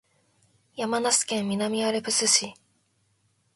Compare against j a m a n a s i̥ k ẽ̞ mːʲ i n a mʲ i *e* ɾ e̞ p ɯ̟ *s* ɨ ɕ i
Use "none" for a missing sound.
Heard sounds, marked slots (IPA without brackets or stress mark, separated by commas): a, s